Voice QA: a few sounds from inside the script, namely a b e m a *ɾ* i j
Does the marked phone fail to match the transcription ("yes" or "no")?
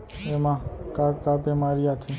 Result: no